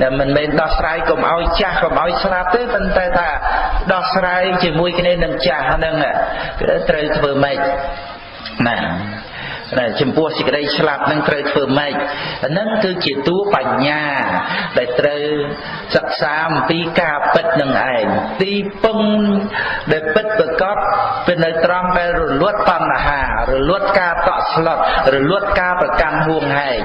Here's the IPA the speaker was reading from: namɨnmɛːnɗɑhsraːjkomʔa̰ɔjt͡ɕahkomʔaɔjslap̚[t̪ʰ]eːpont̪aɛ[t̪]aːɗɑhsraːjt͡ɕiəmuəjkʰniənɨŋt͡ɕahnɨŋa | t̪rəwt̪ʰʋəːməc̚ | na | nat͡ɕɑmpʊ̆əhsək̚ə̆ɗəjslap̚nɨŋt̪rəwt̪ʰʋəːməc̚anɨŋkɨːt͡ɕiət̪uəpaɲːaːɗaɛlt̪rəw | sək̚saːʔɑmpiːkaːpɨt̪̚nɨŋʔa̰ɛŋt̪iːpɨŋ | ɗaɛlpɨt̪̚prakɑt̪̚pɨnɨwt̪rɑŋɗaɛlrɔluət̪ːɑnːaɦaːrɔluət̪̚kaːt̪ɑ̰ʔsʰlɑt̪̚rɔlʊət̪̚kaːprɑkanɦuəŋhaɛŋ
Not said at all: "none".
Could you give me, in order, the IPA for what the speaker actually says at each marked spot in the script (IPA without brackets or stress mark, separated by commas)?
t̪, t̪ʰ